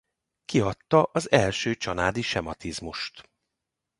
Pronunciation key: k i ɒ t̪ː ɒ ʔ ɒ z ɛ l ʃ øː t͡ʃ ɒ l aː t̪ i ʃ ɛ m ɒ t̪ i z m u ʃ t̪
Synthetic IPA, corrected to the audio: k i ɒ t̪ː ɒ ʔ ɒ z ɛ l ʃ øː t͡ʃ ɒ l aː d̪ i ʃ ɛ m ɒ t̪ i z m u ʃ t̪